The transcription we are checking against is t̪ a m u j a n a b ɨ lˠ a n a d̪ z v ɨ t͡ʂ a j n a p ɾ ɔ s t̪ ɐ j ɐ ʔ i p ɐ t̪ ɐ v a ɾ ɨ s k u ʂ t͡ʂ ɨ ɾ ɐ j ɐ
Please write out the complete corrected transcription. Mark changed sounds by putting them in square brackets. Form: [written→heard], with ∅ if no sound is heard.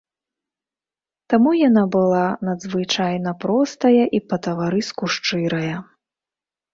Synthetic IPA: t̪ a m u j a n a b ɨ lˠ a n [a→ɐ] d̪ z v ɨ t͡ʂ a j n [a→ɐ] p ɾ ɔ s t̪ ɐ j ɐ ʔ i p ɐ t̪ ɐ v a ɾ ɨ s k u ʂ t͡ʂ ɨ ɾ ɐ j ɐ